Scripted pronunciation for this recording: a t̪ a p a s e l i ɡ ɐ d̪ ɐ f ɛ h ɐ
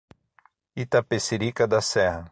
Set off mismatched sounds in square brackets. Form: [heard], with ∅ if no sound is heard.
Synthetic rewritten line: [i] t̪ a p [e] s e [ɾ] i [k] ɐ d̪ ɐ [s] ɛ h ɐ